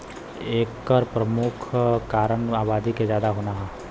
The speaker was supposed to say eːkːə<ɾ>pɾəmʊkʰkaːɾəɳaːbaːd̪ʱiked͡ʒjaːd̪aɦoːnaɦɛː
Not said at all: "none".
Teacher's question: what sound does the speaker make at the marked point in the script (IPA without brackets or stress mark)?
ɾ